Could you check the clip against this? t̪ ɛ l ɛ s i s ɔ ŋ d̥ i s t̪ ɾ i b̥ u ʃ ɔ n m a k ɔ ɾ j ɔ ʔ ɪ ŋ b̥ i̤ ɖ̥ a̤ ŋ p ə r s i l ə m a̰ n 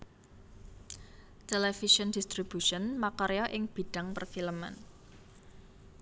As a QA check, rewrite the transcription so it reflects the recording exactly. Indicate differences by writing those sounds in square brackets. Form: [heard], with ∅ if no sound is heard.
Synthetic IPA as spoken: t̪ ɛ l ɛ [f] i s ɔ [n] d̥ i s t̪ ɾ i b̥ u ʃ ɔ n m a k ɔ ɾ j ɔ ʔ ɪ ŋ b̥ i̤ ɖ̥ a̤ ŋ p ə r [f] i l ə m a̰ n